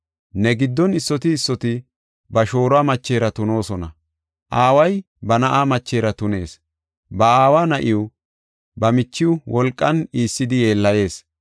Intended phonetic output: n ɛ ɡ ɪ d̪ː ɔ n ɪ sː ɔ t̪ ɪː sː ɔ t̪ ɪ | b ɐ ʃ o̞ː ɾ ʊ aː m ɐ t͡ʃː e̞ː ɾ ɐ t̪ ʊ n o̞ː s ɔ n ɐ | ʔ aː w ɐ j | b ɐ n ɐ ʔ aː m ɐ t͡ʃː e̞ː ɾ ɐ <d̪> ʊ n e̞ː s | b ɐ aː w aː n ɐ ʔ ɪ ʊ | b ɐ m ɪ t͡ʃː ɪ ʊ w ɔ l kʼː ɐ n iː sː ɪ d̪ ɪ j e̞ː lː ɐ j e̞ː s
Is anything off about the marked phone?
yes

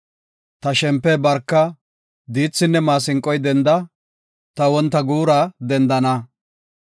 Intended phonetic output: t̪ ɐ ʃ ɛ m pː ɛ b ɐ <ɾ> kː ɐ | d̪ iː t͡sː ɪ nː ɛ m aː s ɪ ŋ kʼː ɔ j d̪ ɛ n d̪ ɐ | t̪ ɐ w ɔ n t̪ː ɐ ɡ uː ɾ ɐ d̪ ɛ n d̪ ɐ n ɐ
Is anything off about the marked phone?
no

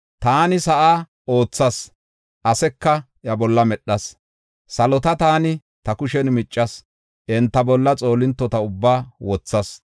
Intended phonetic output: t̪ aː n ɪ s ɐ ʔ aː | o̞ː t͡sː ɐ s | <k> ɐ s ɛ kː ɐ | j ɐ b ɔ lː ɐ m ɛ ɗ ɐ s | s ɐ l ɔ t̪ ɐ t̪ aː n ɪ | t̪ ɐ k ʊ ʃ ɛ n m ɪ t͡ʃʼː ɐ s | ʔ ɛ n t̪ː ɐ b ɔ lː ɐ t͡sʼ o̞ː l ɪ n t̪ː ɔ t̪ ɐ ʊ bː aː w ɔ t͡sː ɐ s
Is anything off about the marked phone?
yes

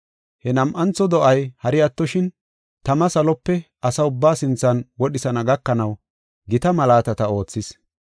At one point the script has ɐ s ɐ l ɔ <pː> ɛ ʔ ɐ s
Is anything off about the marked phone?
no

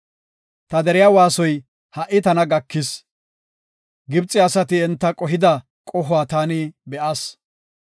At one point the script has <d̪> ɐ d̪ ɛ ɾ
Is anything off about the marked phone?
yes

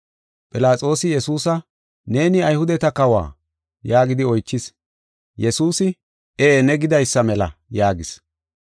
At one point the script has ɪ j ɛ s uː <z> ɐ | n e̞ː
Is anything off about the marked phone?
yes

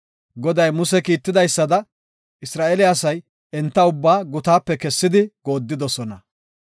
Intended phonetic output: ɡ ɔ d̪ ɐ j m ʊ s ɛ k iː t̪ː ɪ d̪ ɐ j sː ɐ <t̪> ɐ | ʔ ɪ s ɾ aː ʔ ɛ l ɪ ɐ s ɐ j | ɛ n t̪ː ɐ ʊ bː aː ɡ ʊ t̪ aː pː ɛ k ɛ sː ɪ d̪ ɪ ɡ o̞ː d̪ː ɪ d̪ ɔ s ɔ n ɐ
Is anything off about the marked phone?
yes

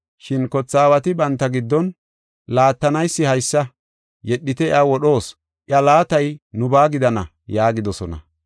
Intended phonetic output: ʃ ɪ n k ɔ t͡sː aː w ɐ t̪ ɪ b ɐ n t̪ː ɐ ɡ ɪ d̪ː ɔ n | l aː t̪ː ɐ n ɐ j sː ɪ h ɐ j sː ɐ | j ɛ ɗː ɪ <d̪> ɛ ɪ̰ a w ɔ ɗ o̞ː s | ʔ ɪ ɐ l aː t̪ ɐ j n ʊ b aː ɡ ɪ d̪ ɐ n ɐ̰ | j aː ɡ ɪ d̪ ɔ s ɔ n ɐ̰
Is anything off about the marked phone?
yes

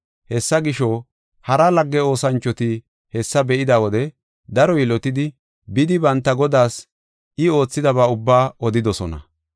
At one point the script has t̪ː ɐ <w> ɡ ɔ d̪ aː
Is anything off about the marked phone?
yes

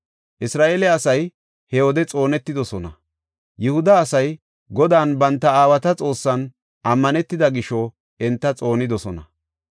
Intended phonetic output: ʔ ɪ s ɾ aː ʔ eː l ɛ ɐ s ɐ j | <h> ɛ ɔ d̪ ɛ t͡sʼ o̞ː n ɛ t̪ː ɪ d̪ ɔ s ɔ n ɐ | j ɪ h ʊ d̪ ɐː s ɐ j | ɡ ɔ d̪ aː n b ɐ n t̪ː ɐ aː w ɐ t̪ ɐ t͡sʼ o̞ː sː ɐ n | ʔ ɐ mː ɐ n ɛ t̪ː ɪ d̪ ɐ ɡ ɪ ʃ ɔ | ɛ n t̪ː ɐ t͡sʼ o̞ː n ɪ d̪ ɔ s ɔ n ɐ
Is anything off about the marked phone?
no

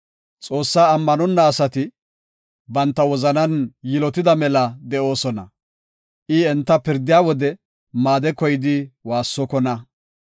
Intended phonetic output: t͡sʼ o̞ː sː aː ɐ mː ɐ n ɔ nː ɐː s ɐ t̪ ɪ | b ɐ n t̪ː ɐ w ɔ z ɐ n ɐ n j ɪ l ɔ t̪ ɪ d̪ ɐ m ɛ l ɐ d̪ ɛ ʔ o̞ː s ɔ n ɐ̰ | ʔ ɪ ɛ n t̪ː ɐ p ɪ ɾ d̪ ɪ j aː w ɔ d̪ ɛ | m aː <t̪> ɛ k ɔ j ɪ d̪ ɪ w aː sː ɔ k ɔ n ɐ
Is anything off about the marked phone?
yes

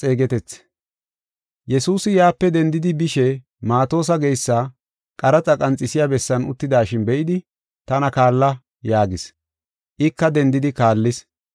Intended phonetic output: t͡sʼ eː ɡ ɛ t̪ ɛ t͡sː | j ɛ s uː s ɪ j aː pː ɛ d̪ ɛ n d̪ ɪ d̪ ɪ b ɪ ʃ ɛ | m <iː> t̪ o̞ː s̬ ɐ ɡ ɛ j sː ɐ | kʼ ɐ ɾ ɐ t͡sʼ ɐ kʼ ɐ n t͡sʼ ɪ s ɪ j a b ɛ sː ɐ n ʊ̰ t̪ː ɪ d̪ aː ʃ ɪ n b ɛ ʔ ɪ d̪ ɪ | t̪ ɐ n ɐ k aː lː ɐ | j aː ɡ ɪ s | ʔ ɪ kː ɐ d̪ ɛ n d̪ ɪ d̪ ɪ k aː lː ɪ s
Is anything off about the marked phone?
yes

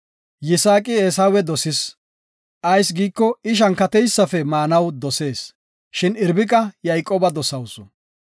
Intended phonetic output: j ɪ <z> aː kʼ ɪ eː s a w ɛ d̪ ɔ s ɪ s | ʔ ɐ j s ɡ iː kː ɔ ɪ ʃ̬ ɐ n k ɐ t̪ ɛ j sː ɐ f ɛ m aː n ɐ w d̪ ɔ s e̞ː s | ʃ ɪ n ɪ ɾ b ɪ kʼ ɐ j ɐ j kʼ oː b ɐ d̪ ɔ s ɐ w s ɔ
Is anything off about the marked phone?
yes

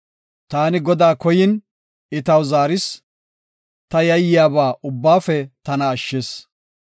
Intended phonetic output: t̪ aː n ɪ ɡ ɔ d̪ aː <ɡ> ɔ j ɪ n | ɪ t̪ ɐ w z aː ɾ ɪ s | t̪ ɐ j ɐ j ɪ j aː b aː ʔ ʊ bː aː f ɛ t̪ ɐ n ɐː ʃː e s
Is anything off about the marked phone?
yes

